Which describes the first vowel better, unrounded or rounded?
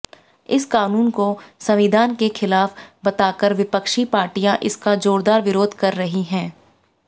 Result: unrounded